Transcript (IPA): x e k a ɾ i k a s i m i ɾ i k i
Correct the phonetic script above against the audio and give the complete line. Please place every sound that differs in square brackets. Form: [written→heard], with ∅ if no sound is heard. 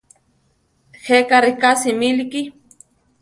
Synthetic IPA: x e k a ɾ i k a s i m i [ɾ→l] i k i